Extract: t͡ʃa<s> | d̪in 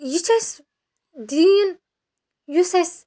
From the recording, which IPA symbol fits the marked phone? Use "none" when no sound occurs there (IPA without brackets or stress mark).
s